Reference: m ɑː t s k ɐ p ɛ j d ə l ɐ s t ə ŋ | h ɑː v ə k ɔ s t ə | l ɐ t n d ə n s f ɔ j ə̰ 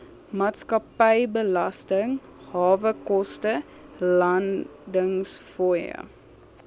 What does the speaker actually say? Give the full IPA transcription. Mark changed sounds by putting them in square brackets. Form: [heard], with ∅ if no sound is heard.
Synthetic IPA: m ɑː t s k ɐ p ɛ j [b] ə l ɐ s t ə ŋ | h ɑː v ə k ɔ s t ə | l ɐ [∅] n d ə [ŋ] s f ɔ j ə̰